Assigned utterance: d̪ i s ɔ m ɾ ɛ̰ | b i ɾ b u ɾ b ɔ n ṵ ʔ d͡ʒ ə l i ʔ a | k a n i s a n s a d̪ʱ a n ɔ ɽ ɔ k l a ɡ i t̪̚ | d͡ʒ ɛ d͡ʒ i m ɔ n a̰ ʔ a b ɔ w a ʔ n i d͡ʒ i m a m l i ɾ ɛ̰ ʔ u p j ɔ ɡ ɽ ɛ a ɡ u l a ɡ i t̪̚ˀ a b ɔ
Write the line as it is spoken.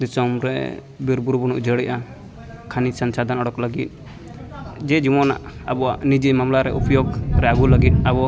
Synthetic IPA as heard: d̪ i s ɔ m ɾ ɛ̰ | b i ɾ b u ɾ b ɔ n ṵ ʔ d͡ʒ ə ɽ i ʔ a | kʰ a n i s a n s a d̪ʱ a n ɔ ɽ ɔ k l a ɡ i t̪̚ | d͡ʒ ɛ d͡ʒ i m ɔ n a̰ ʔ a b ɔ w a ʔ n i d͡ʒ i m a m l a ɾ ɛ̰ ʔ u p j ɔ ɡ ɾ ɛ a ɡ u l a ɡ i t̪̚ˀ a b ɔ